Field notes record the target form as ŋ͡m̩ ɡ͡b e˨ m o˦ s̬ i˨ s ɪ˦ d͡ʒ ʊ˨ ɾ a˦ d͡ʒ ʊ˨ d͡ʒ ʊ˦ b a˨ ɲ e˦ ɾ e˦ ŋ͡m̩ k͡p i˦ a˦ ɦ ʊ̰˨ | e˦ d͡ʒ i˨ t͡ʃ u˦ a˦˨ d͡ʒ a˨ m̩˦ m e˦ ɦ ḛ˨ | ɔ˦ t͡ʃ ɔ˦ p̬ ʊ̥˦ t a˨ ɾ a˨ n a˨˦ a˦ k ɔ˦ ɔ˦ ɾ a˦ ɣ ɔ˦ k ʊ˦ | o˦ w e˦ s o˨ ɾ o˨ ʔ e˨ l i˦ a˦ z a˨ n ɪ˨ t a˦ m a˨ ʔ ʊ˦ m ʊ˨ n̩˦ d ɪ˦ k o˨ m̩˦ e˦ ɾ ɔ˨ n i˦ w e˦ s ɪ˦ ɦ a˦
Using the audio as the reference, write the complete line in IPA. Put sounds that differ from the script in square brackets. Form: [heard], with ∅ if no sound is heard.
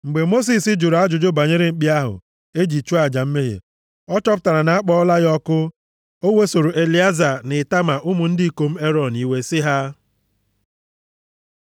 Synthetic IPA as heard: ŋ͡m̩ ɡ͡b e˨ m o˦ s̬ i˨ s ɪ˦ d͡ʒ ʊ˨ ɾ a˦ d͡ʒ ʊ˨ d͡ʒ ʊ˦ b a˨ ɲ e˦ ɾ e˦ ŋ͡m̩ k͡p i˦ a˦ ɦ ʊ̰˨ | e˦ d͡ʒ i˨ t͡ʃ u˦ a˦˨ d͡ʒ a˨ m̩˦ m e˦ ɦ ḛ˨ | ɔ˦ t͡ʃ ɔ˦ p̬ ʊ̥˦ t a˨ ɾ a˨ n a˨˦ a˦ [k͡p] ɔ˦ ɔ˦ [l] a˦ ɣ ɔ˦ k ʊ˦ | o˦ w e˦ s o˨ ɾ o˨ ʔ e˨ l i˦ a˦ z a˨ n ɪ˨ t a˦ m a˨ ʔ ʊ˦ m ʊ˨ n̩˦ d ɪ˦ k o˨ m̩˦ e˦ ɾ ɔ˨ n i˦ w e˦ s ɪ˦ ɦ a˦